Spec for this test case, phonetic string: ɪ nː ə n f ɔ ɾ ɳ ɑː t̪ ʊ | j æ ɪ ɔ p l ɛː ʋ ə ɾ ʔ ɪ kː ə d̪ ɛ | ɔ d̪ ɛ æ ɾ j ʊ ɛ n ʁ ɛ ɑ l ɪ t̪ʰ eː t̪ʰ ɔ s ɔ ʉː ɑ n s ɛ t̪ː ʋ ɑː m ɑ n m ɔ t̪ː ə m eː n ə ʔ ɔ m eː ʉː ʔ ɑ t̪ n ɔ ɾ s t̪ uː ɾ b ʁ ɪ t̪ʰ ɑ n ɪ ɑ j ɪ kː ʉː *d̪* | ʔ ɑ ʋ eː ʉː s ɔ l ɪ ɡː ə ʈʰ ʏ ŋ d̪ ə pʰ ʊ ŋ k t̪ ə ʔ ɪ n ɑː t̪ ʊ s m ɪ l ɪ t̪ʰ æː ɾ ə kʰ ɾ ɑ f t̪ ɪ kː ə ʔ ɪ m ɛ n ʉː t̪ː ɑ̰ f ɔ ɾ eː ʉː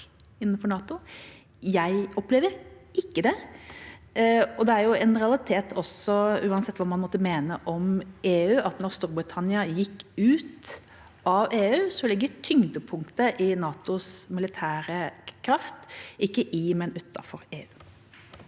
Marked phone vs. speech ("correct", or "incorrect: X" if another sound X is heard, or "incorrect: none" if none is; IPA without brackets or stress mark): incorrect: t̪